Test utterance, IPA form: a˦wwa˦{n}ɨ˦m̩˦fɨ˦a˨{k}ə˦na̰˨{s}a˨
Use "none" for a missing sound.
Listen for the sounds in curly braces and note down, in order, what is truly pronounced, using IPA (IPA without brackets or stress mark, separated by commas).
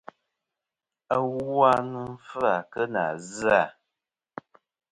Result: n, k, z